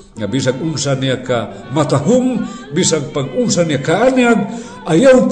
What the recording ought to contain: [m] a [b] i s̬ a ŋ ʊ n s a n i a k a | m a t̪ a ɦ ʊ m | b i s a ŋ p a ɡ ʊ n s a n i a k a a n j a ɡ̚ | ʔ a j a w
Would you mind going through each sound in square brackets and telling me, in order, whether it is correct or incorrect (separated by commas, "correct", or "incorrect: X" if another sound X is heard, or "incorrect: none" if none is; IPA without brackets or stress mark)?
incorrect: ŋ, correct